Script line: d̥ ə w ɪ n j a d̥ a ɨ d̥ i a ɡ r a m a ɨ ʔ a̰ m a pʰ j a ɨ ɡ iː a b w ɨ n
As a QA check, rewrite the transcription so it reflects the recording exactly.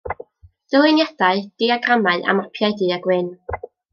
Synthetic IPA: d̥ ə w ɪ n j a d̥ a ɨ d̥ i a ɡ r a m a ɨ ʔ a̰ m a pʰ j a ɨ d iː a ɡ w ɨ n